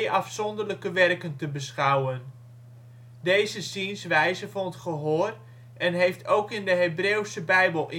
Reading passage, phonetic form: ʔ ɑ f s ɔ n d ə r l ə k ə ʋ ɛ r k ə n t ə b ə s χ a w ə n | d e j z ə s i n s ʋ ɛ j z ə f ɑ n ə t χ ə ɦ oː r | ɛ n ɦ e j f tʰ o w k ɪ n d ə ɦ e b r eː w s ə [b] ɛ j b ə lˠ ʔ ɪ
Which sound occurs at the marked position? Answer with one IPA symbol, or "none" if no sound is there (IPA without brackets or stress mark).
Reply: b